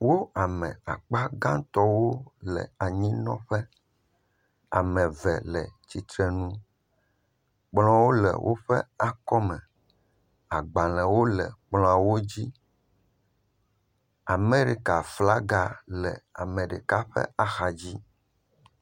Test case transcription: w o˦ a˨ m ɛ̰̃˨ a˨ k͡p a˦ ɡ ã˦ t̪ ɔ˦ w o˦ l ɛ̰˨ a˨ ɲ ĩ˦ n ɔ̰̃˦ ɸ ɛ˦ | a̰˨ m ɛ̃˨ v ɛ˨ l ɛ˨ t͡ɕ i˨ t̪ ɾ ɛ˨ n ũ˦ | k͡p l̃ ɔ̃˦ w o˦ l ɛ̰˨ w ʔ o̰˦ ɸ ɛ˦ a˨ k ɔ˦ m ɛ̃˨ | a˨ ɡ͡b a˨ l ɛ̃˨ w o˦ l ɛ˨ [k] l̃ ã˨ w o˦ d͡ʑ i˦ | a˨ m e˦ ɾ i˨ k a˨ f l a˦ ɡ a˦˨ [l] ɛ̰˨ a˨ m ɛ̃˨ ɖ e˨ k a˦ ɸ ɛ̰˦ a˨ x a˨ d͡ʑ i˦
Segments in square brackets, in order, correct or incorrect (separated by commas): incorrect, correct